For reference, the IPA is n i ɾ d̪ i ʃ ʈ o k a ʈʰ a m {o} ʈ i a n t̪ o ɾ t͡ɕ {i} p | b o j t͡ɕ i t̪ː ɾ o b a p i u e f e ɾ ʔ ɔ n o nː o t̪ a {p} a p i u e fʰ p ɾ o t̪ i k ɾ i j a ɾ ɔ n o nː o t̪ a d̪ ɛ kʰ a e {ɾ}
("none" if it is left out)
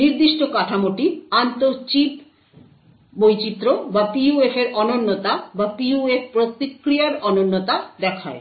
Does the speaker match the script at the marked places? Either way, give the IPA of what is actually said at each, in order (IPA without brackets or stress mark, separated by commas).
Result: o, i, b, none